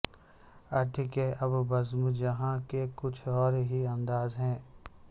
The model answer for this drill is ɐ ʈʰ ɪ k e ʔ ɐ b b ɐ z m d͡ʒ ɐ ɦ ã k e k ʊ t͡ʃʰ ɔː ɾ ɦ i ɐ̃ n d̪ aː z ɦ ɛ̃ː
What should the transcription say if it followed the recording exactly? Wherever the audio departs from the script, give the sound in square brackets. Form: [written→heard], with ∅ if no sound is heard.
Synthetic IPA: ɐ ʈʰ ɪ k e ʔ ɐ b b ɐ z m d͡ʒ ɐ ɦ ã k e k ʊ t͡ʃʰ ɔː ɾ ɦ i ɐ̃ n d̪ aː z ɦ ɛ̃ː